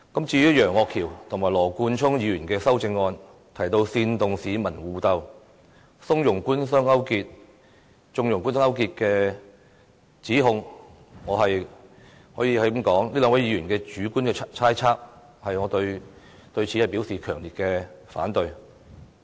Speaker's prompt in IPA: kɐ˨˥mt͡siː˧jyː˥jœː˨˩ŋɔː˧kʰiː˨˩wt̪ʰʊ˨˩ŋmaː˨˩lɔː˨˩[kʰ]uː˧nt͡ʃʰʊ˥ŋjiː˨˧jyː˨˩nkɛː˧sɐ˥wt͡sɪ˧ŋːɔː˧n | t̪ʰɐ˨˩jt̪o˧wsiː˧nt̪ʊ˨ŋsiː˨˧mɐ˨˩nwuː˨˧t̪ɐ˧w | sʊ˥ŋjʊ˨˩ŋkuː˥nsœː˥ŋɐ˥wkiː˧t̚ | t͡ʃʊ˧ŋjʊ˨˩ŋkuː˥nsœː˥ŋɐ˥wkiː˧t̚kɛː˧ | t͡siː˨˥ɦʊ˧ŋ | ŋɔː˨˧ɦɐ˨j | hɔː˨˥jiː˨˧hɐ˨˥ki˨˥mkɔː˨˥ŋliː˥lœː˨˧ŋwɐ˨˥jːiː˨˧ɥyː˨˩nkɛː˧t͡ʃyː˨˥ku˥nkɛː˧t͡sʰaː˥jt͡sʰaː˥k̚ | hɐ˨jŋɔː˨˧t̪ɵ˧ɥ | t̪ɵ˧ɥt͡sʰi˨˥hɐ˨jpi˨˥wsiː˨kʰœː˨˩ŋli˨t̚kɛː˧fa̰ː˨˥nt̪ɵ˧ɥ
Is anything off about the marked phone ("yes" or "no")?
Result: yes